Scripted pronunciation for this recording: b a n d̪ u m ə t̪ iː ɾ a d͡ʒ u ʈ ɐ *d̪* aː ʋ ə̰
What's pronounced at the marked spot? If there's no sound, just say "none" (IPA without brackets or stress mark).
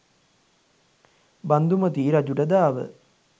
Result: d̪